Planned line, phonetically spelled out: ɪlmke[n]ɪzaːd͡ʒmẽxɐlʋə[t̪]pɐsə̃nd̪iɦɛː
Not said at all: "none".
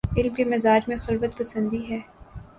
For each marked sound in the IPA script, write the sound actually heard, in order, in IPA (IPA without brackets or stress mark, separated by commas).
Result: m, t̪